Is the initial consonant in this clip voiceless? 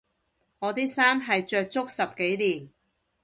no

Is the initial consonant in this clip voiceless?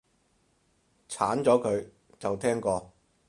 yes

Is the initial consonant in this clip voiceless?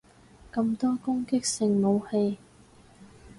yes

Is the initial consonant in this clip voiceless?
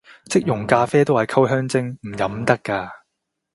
yes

